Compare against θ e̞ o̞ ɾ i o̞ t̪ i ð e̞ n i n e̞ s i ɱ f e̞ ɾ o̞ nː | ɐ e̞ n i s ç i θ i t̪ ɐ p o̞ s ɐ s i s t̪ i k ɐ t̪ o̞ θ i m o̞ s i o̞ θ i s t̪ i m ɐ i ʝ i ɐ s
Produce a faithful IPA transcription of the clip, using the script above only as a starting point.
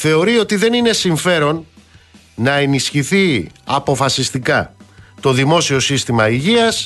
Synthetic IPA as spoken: θ e̞ o̞ ɾ i o̞ t̪ i ð e̞ n i n e̞ s i ɱ f e̞ ɾ o̞ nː | ɐ e̞ n i s ç i θ i ɐ p o̞ f ɐ s i s t̪ i k ɐ t̪ o̞ ð i m o̞ s i o̞ s i s t̪ i m ɐ i ʝ i ɐ s